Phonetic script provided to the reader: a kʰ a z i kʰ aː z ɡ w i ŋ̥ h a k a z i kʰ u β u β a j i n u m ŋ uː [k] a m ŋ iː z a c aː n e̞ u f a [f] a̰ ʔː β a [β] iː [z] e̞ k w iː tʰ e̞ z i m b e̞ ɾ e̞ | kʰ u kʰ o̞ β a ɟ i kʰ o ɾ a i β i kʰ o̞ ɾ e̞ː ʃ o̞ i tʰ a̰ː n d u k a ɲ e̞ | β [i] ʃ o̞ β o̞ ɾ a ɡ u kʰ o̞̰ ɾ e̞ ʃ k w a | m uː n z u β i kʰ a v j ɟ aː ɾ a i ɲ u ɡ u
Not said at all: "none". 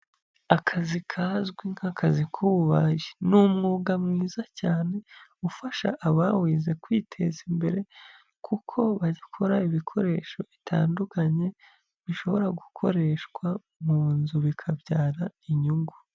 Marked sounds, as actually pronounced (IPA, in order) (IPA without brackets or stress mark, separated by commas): ɡ, ʃ, w, z, i